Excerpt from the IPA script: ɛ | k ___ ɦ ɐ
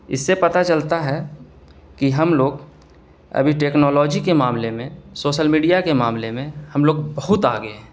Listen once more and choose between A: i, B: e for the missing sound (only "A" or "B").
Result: A